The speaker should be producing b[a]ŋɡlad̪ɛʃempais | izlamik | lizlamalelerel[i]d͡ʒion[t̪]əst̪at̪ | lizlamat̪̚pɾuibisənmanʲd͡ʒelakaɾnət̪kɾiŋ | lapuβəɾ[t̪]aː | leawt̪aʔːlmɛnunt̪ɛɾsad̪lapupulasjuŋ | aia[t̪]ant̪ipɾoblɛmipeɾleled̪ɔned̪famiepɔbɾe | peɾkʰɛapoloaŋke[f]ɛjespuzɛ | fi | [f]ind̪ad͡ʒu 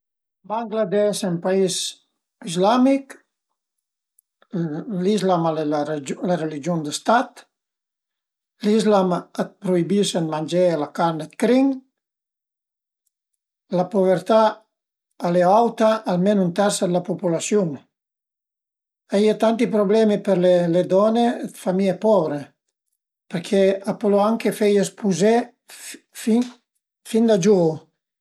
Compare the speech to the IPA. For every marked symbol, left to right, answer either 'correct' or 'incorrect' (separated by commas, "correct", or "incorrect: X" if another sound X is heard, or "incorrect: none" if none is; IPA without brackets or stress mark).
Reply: correct, correct, incorrect: d̪, correct, correct, correct, correct